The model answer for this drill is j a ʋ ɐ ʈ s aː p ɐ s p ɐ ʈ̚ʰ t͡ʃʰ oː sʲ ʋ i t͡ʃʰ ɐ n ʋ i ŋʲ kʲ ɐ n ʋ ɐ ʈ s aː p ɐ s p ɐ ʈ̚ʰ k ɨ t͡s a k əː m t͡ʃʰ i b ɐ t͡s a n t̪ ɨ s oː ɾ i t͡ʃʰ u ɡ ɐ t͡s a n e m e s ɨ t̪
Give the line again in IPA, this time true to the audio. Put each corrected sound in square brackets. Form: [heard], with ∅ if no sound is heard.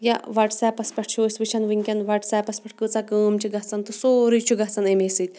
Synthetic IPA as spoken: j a ʋ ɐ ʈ s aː p ɐ s p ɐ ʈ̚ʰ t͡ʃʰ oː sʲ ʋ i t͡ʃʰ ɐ n ʋ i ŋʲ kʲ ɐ n ʋ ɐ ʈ s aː p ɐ s p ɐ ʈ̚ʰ k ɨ t͡s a k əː m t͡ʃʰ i [ɡ] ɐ t͡s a n t̪ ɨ s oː ɾ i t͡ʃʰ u ɡ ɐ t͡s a n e m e s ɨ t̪